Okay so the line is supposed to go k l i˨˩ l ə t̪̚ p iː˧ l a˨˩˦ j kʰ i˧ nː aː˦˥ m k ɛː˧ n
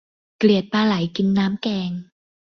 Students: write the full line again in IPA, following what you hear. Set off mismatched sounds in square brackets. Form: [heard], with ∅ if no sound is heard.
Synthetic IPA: k l i˨˩ [∅] ə t̪̚ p [aː˧] l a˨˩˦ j [k] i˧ nː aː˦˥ m k ɛː˧ [ŋ]

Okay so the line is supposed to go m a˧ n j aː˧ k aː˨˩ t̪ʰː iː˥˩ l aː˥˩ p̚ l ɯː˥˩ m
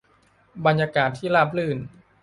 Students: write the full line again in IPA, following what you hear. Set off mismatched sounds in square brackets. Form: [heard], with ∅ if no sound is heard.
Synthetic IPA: [b] a˧ n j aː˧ k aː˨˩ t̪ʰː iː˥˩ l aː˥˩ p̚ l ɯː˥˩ [n]

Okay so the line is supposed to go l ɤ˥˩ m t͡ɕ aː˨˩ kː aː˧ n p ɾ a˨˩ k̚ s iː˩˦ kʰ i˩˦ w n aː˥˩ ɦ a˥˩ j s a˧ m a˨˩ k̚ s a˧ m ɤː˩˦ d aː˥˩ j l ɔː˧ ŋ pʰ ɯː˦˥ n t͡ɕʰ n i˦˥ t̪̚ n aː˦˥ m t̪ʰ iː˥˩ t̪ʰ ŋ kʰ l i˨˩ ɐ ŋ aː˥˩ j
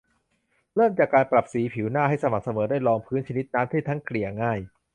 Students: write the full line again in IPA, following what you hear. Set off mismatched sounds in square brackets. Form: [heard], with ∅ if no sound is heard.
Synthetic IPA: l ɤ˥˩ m t͡ɕ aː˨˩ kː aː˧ n p ɾ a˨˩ [p̚] s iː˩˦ [pʰ] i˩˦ w n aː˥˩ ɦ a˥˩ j s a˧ m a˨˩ k̚ s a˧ m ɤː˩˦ d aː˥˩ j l ɔː˧ ŋ pʰ ɯː˦˥ n t͡ɕʰ n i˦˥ t̪̚ n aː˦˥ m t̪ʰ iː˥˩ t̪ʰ ŋ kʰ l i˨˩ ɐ ŋ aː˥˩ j

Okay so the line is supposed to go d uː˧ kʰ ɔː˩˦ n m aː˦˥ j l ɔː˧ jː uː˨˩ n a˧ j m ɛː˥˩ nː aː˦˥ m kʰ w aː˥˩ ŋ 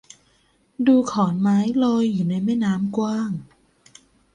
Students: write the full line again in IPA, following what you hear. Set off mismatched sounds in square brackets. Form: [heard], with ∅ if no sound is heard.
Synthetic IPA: d uː˧ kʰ ɔː˩˦ n m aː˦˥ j l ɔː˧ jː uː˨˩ n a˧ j m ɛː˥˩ [n] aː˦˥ m [k] w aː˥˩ ŋ

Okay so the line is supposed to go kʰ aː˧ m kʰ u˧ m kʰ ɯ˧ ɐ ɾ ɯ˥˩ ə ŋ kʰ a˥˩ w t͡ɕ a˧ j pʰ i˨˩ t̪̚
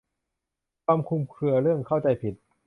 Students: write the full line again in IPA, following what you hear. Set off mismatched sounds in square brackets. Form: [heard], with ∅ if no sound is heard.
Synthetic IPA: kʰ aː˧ m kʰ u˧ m kʰ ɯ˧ ɐ ɾ ɯ˥˩ ə ŋ kʰ a˥˩ w t͡ɕ a˧ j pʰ i˨˩ t̪̚

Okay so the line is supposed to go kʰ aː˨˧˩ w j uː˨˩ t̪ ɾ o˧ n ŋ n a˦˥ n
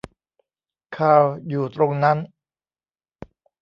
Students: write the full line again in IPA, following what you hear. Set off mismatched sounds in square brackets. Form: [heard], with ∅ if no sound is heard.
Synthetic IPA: kʰ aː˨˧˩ w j uː˨˩ t̪ ɾ o˧ [∅] ŋ n a˦˥ n

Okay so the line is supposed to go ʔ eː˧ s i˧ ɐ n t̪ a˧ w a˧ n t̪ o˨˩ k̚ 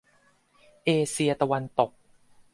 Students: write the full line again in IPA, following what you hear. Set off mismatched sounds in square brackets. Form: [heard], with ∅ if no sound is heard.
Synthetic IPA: ʔ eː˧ s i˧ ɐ [∅] t̪ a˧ w a˧ n t̪ o˨˩ k̚

